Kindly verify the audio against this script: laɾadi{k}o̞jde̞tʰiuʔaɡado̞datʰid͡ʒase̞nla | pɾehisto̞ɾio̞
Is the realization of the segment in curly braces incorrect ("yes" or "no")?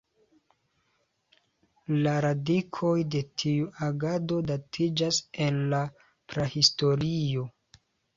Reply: yes